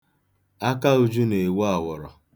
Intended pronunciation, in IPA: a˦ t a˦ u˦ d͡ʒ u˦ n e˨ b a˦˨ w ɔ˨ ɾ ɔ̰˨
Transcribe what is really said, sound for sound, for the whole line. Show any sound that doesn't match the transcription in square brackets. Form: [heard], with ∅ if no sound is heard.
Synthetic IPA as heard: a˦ [k] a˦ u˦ d͡ʒ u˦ n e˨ [w] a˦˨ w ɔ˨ ɾ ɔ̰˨